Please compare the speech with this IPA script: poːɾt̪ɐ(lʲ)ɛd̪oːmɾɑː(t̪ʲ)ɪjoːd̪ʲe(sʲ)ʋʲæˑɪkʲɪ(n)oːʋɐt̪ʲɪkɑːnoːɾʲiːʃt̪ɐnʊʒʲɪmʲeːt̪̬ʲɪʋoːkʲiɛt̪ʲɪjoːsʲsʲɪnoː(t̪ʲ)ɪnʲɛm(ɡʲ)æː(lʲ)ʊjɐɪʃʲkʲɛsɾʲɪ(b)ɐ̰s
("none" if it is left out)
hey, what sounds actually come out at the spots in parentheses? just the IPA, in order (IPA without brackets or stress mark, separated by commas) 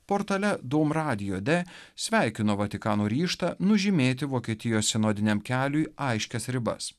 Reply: lʲ, d̪ʲ, sʲ, n, d̪ʲ, kʲ, lʲ, b